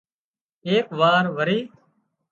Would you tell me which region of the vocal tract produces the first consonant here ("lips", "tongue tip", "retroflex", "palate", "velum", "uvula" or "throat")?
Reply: velum